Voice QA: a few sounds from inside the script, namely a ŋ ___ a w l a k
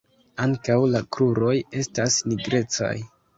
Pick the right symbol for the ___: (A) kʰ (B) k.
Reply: B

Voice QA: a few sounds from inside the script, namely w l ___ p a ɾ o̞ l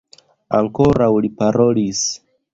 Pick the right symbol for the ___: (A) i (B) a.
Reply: A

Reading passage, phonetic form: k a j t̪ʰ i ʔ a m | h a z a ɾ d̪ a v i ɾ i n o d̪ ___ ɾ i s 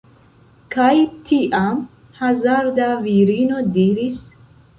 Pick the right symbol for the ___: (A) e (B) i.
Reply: B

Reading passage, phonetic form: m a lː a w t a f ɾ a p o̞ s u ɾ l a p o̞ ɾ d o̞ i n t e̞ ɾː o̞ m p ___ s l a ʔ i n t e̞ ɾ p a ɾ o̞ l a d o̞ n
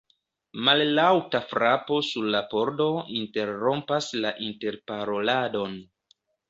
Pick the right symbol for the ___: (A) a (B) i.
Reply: A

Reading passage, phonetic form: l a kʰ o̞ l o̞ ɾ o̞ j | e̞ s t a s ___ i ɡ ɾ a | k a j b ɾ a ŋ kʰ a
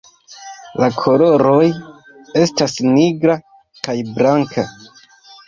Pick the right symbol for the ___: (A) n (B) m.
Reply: A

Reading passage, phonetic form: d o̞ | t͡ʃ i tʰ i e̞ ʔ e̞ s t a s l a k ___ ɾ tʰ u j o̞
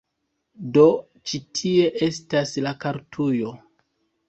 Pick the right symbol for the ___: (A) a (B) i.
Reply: A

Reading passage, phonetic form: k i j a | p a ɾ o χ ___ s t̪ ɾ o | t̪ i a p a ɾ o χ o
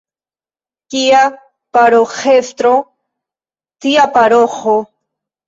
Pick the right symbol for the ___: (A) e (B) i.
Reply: A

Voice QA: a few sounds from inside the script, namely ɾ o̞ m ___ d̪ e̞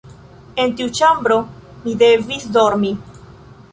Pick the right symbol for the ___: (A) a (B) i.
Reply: B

